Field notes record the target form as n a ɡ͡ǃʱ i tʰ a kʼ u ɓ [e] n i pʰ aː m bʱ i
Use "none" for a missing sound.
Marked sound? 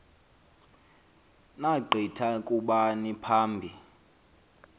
a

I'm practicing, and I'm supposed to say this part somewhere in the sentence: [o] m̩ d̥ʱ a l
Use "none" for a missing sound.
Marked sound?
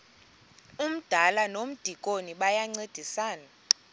u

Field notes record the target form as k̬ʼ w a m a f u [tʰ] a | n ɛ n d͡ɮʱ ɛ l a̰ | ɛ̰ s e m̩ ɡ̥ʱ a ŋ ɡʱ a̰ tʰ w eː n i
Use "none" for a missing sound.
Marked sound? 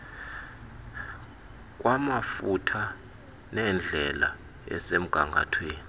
tʰ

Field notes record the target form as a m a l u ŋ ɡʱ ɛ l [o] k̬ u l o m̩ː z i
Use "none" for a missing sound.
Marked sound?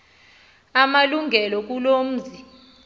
ɔ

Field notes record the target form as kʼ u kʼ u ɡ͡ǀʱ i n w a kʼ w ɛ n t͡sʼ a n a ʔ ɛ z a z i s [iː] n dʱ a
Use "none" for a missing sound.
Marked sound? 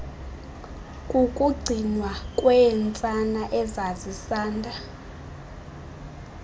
aː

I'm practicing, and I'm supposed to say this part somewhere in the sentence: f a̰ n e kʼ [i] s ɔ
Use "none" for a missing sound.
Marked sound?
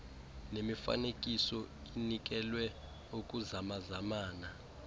i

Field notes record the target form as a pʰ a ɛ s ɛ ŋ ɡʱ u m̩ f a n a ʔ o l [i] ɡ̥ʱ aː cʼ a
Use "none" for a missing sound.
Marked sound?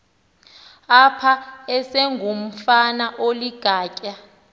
i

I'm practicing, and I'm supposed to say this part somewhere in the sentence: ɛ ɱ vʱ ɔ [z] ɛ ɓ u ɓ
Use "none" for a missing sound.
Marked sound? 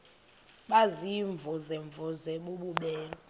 z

